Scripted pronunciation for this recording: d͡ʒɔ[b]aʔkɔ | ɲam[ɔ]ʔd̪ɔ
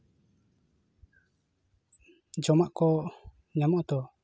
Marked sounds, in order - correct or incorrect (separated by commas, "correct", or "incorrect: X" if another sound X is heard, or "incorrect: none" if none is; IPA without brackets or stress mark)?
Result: incorrect: m, correct